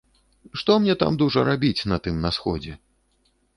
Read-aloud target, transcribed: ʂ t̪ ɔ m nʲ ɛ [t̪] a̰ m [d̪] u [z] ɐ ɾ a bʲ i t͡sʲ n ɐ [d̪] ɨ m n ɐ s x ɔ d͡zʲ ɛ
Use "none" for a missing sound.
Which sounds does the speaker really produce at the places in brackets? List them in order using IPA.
t̪, d̪, ʐ, t̪

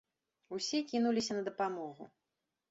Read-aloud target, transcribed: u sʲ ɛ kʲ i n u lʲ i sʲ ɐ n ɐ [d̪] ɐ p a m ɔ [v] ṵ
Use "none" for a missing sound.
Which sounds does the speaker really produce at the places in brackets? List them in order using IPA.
d̪, ɣ

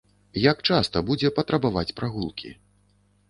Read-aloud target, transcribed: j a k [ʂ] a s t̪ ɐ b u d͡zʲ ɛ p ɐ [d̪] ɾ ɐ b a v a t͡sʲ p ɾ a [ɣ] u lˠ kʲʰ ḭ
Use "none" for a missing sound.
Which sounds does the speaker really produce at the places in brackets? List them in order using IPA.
t͡ʂ, t̪, ɣ

